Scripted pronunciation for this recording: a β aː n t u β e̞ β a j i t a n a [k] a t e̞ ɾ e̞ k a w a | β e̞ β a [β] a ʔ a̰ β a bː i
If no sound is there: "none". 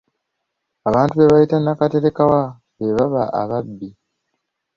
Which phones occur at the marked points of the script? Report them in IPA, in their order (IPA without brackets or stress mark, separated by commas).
k, β